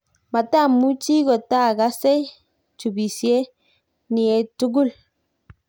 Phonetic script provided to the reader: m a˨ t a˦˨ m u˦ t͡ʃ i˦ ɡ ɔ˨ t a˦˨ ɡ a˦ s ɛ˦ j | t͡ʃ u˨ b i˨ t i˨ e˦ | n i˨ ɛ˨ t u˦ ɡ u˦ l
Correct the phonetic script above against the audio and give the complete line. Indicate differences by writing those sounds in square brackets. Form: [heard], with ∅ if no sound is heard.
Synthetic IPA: m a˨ t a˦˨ m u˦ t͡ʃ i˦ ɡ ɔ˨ t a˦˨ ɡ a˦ s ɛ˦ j | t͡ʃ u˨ b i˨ [s] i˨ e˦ | n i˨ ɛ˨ t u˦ ɡ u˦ l